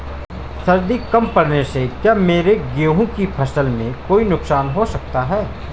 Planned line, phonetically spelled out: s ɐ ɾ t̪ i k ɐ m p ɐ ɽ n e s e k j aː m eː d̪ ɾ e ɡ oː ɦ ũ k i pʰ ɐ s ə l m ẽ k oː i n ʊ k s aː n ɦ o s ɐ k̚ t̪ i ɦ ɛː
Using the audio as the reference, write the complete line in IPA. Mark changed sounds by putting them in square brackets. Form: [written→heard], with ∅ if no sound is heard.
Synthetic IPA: s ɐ ɾ [t̪→d̪] i k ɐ m p ɐ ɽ n e s e k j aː m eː [d̪→∅] ɾ e ɡ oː ɦ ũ k i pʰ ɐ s ə l m ẽ k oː i n ʊ k s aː n ɦ o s ɐ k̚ t̪ [i→a] ɦ ɛː